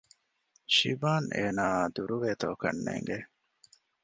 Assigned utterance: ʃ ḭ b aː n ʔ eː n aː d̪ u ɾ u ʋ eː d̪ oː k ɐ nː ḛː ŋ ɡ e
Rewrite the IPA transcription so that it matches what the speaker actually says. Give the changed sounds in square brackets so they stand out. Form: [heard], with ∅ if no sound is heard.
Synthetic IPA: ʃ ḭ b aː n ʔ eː n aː d̪ u ɾ u ʋ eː [t̪] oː k ɐ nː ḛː ŋ ɡ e